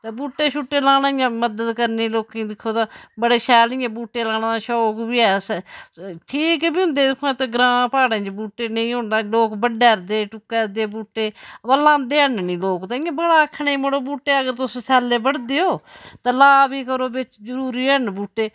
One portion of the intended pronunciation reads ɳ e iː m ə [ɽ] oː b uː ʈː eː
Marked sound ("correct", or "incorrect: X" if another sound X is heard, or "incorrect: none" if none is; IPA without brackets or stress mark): correct